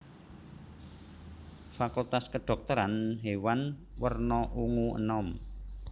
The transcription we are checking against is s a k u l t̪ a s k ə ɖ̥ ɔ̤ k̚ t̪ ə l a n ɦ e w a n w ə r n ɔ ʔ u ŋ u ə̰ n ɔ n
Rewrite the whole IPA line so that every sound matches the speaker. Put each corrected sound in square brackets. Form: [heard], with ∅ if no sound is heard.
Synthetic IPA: [f] a k u l t̪ a s k ə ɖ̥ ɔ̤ k̚ t̪ ə [ɾ] a n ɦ e w a n w ə r n ɔ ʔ u ŋ u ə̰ n ɔ [m]